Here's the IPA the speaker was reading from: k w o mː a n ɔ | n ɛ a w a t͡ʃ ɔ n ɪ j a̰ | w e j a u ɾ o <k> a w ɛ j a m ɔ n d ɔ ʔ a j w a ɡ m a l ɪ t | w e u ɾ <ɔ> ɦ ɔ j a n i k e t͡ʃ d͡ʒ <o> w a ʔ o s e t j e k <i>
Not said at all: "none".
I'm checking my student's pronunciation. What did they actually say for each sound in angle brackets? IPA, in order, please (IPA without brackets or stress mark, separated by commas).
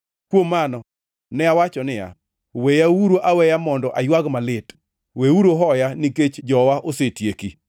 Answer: ʔ, o, ɔ, i